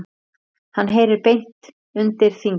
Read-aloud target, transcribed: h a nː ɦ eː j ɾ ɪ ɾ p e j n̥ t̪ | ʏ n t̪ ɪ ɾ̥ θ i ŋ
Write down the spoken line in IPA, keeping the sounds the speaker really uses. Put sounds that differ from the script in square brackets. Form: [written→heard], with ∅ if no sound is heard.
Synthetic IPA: h a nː ɦ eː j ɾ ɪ ɾ p e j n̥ t̪ | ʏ n t̪ ɪ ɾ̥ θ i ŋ